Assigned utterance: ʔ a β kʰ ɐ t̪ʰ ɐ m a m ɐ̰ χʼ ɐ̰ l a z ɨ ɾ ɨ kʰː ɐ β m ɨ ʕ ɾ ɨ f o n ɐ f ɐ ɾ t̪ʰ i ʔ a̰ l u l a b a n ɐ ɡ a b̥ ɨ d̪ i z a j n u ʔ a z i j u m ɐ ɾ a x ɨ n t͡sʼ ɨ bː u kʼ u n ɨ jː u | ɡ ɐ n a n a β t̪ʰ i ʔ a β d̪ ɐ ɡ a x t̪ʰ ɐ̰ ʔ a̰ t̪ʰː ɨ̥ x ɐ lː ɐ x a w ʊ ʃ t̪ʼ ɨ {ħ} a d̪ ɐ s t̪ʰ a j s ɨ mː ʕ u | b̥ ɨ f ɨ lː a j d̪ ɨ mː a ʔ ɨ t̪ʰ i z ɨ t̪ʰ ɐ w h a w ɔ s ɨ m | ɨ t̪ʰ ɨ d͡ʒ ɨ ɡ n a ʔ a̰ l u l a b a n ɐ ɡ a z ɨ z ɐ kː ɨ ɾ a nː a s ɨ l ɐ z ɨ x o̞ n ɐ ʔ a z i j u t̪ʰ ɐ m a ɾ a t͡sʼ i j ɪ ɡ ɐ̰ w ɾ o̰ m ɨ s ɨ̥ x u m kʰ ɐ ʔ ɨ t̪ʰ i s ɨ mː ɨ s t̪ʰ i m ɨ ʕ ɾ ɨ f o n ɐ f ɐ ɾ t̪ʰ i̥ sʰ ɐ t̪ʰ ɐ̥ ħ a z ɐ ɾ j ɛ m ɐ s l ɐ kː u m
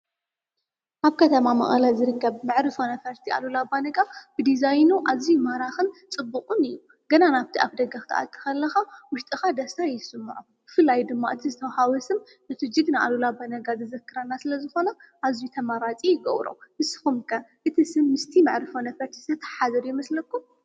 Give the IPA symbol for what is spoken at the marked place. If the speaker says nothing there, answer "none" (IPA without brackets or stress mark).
x